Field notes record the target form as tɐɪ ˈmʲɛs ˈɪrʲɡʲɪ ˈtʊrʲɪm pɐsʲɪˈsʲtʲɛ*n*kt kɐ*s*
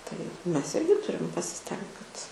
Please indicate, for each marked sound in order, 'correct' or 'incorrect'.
incorrect, incorrect

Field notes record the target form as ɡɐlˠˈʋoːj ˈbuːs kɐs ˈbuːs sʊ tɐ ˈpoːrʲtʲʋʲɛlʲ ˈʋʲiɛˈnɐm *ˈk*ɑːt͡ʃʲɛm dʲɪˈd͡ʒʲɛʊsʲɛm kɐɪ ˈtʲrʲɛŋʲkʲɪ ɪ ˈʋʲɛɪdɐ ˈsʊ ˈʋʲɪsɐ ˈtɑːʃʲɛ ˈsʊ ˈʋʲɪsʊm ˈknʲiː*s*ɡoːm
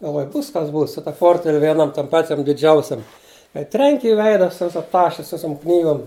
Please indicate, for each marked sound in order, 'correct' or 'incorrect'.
incorrect, incorrect

